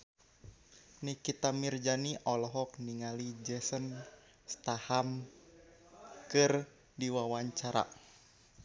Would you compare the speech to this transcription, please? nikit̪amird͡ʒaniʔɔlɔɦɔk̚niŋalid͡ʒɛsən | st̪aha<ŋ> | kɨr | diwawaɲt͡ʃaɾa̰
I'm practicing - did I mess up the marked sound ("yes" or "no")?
yes